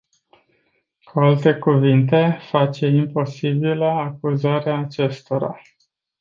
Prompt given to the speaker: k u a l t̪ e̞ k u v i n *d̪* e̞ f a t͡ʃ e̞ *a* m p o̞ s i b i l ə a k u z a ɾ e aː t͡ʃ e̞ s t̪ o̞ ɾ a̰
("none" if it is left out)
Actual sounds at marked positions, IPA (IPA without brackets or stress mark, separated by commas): t̪, i